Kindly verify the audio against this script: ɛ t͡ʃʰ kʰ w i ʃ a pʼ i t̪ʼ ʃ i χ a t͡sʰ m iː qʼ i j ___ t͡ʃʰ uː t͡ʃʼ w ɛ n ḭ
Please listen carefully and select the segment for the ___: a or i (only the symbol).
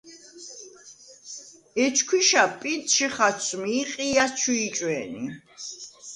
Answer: a